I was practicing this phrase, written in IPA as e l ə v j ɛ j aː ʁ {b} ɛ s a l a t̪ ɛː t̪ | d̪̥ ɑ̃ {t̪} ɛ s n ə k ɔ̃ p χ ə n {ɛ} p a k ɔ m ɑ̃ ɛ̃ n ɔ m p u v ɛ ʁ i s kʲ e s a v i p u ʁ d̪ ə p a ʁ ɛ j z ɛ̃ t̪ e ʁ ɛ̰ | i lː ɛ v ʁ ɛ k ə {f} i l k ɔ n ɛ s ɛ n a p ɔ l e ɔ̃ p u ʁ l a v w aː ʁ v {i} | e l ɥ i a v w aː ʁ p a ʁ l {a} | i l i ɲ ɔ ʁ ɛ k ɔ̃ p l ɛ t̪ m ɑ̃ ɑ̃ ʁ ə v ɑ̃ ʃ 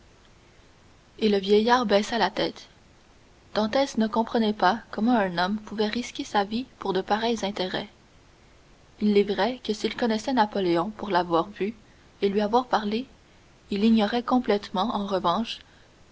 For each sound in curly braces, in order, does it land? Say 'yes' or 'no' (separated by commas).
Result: yes, yes, yes, no, no, no